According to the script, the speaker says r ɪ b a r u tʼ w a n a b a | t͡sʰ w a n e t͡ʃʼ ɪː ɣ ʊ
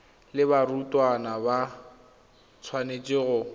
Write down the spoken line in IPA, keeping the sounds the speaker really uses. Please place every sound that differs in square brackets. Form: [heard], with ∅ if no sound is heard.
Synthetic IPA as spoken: [l] ɪ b a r u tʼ w a n a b a | t͡sʰ w a n e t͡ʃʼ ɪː ɣ ʊ

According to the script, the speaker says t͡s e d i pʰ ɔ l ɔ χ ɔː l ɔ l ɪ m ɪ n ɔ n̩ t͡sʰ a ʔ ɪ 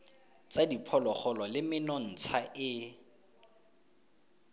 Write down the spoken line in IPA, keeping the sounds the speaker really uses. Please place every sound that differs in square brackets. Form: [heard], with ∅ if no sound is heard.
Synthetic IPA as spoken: t͡s [a] d i pʰ ɔ l ɔ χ [ɔ] l ɔ l ɪ m ɪ n ɔ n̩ t͡sʰ a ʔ ɪ

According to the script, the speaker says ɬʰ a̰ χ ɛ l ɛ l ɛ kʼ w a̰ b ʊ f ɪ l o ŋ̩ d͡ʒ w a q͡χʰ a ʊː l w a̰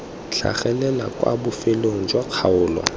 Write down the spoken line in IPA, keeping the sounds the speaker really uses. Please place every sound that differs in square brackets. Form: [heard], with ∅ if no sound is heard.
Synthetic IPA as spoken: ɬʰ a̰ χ ɛ l ɛ l [a] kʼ w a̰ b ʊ f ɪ l o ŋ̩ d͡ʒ w a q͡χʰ a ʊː l w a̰

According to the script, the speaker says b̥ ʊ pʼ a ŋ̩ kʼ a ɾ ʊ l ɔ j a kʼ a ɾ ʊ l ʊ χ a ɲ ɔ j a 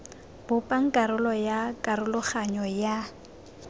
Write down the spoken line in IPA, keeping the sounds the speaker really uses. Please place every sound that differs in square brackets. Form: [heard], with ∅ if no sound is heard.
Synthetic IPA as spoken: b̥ ʊ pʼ a ŋ̩ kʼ a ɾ ʊ l ɔ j a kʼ a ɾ ʊ l ʊ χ a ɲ ɔ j a

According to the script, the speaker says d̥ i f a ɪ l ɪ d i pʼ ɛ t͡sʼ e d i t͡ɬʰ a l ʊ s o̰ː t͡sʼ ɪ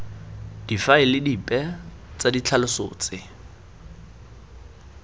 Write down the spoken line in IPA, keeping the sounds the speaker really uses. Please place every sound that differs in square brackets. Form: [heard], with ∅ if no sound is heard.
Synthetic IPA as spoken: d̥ i f a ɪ l ɪ d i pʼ ɛ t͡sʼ [a] d i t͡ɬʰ a l ʊ s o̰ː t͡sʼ ɪ

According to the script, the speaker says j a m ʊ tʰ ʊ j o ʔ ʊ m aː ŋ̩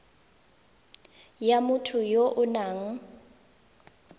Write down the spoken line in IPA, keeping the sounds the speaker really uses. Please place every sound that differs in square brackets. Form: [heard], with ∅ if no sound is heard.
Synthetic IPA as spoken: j a m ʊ tʰ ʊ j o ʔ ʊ [n] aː ŋ̩

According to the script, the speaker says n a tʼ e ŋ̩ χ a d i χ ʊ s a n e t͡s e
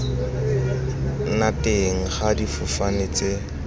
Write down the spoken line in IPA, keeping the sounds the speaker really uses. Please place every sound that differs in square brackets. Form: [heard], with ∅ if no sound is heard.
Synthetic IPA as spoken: n a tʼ e ŋ̩ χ a d i [f] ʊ [f] a n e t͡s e

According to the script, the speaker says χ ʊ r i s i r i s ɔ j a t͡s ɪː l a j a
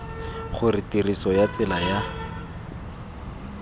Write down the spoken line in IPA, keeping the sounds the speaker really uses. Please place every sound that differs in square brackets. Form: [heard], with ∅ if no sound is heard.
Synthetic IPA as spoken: χ ʊ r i [t] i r i s ɔ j a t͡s [ɪ] l a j a

